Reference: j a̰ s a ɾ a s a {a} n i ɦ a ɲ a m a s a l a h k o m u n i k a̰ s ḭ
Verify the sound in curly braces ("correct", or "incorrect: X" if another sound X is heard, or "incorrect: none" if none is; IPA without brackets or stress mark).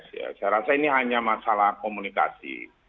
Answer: incorrect: i